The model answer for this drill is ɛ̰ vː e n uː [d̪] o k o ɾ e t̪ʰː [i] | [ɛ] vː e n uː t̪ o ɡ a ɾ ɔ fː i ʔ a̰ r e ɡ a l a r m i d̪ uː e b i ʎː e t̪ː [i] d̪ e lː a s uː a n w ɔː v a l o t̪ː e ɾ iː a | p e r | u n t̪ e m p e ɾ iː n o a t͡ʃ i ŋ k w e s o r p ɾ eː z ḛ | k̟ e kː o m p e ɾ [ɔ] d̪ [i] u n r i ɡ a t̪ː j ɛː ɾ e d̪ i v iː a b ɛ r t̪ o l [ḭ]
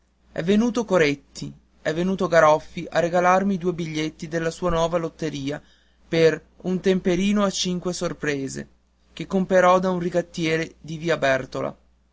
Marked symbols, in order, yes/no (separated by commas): no, yes, yes, yes, yes, no, no